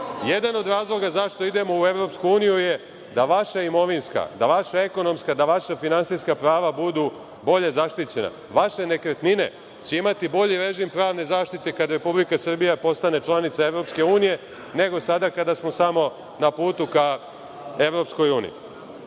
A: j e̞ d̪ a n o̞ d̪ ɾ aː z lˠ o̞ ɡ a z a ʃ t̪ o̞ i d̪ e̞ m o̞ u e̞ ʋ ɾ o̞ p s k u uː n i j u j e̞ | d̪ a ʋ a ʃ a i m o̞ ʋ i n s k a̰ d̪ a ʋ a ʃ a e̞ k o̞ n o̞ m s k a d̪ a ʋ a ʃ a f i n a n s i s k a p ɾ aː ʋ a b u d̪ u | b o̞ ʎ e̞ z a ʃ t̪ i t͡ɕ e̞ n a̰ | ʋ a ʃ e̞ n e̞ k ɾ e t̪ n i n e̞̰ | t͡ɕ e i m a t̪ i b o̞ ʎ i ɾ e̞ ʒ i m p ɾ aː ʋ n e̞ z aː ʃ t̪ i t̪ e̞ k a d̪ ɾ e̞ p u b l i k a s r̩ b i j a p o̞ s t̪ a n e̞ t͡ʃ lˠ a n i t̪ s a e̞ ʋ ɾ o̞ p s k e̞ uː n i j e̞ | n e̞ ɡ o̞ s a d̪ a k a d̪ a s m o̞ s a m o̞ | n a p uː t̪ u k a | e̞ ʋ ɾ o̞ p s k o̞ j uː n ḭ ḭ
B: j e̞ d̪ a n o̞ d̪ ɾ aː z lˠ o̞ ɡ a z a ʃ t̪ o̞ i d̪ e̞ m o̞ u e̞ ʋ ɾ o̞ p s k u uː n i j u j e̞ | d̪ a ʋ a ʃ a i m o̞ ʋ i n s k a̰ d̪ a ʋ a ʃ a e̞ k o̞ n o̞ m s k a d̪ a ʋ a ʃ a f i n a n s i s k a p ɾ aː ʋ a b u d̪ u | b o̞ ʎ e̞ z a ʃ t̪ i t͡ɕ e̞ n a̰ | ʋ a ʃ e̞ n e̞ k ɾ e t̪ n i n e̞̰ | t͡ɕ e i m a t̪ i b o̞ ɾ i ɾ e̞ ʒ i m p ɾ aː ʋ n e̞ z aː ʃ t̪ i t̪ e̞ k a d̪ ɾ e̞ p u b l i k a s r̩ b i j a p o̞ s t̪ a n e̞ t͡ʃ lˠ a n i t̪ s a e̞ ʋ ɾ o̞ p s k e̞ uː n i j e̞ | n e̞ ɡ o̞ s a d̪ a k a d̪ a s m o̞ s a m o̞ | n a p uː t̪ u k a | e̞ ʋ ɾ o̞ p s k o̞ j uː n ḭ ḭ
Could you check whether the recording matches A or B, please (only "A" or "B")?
A